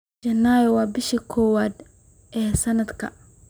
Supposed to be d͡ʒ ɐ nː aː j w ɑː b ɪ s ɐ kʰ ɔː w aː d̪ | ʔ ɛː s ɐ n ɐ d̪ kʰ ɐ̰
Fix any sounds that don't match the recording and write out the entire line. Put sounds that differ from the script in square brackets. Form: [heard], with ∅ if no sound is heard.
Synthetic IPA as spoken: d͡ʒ ɐ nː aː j w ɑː b ɪ [ʃ] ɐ kʰ ɔː w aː d̪ | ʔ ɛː s ɐ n ɐ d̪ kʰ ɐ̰